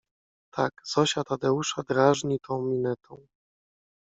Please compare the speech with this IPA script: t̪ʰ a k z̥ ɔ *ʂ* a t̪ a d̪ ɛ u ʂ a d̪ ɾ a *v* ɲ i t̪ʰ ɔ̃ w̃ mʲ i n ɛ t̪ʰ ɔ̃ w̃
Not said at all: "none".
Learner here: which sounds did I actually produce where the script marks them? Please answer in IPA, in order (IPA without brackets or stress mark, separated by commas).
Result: ɕ, ʐ